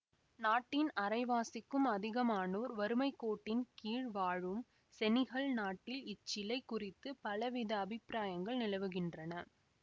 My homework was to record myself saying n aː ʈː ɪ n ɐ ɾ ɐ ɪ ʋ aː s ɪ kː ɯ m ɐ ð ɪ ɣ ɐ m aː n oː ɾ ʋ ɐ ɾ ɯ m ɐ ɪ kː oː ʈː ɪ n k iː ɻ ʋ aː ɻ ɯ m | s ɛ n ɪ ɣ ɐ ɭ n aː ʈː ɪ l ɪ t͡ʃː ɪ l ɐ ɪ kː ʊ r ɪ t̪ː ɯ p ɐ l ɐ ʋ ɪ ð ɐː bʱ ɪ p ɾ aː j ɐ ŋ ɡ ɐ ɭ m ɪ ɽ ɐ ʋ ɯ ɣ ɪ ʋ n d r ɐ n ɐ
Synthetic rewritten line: n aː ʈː ɪ n ɐ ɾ ɐ ɪ ʋ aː s ɪ kː ɯ m ɐ ð ɪ ɣ ɐ m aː n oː ɾ ʋ ɐ ɾ ɯ m ɐ ɪ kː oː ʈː ɪ n k iː ɻ ʋ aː ɻ ɯ m | s ɛ n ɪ ɣ ɐ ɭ n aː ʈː ɪ l ɪ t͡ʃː ɪ l ɐ ɪ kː ʊ r ɪ t̪ː ɯ p ɐ l ɐ ʋ ɪ ð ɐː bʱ ɪ p ɾ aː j ɐ ŋ ɡ ɐ ɭ n ɪ l ɐ ʋ ɯ ɣ ɪ n d r ɐ n ɐ